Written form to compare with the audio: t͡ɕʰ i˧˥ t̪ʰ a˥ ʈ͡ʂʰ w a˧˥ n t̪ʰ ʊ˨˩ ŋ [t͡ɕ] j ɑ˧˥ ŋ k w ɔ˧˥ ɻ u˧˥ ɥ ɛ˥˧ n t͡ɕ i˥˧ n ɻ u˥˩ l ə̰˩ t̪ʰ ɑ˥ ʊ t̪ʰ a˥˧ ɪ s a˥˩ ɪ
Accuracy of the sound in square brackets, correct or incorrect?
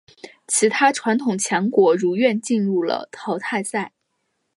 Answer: incorrect: t͡ɕʰ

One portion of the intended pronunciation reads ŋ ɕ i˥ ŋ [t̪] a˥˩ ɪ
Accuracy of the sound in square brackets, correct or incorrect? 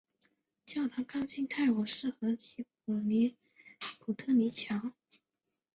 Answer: incorrect: t̪ʰ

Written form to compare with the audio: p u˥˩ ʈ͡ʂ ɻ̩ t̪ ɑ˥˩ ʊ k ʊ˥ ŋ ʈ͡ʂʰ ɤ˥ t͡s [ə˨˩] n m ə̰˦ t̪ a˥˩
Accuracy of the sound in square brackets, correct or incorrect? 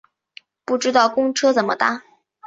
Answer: correct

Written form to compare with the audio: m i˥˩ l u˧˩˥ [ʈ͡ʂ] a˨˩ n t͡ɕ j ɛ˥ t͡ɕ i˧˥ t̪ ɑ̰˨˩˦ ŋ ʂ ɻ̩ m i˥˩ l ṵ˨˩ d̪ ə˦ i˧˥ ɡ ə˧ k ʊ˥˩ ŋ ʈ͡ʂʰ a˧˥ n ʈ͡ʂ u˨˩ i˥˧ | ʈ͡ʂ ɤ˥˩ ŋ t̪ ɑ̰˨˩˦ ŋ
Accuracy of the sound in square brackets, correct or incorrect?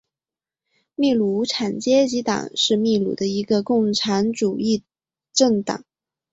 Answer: incorrect: ʈ͡ʂʰ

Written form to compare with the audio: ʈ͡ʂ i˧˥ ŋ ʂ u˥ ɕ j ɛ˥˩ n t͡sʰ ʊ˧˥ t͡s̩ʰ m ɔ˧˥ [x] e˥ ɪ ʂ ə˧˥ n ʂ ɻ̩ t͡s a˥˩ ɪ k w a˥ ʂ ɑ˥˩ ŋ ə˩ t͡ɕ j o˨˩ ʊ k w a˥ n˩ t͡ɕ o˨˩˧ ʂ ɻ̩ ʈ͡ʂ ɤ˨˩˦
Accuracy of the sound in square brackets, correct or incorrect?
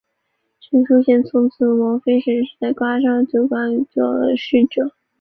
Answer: incorrect: f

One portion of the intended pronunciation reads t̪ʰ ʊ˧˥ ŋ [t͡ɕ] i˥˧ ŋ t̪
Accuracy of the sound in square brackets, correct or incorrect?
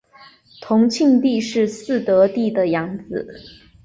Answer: incorrect: t͡ɕʰ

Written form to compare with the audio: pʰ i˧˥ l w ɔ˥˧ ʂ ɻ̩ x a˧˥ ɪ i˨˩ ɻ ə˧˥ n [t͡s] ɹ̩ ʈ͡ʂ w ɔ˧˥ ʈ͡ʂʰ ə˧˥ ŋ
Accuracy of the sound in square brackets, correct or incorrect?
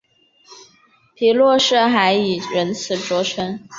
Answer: incorrect: t͡sʰ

